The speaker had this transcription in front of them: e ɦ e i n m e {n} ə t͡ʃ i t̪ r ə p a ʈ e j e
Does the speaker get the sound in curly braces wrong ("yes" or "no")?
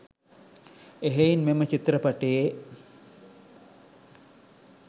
yes